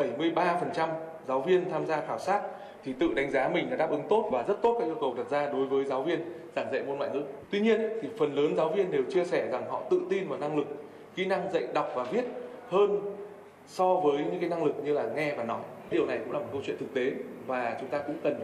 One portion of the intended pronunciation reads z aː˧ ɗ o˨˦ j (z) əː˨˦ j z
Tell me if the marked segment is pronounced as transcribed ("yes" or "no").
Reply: no